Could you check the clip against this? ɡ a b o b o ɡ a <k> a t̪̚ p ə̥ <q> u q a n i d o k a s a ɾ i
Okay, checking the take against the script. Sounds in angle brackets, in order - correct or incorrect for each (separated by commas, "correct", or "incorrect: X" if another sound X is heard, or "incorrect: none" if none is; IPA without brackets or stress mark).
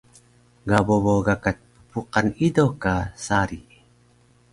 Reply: correct, incorrect: p